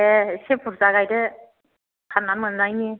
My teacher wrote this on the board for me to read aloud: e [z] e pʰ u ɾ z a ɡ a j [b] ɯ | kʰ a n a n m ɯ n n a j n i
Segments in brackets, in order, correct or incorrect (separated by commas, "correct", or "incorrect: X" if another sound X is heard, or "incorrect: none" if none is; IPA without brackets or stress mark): incorrect: s, incorrect: d